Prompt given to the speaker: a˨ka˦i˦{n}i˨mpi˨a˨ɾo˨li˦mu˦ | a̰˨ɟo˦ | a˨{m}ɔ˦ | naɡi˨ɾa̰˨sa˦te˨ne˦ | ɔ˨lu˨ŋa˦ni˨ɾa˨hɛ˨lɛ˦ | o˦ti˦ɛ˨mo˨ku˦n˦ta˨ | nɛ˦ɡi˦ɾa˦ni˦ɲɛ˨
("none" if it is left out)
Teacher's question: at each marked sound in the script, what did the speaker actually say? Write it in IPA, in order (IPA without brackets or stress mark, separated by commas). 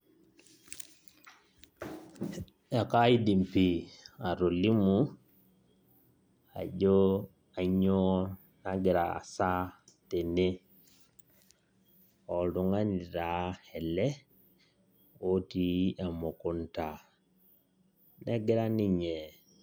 d, ɲ